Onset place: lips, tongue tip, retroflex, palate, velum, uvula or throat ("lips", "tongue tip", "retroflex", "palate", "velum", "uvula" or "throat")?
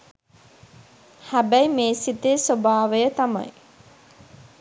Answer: throat